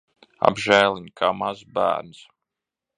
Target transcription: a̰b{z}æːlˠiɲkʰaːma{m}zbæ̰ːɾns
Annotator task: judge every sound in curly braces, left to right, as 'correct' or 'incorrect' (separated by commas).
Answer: incorrect, incorrect